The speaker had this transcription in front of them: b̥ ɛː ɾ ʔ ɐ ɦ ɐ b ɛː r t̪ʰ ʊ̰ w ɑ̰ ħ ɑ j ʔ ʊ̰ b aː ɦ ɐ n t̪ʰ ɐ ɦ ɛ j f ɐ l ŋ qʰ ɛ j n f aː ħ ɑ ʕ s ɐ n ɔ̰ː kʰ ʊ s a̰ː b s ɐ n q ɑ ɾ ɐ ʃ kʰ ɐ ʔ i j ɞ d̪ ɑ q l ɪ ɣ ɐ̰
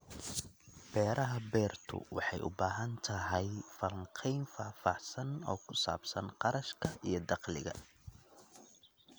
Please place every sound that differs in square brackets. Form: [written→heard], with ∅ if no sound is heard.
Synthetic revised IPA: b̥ ɛː ɾ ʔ ɐ ɦ ɐ b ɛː r t̪ʰ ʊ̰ w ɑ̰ ħ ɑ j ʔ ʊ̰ b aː ɦ ɐ n t̪ʰ ɐ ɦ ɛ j f ɐ l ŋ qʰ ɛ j n f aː [ħ→f] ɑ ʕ s ɐ n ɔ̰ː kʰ ʊ s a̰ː b s ɐ n q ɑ ɾ ɐ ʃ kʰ ɐ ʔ i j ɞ d̪ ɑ q l ɪ ɣ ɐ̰